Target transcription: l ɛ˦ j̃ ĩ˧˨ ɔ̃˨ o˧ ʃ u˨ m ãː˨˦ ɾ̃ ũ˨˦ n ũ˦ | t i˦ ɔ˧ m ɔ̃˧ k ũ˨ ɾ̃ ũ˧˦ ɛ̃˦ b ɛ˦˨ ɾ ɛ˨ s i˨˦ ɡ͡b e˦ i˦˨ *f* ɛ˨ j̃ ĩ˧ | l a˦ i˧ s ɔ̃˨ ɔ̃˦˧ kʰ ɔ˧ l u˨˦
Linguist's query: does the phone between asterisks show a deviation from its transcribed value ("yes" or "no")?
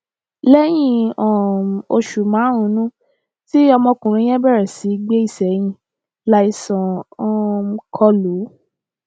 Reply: yes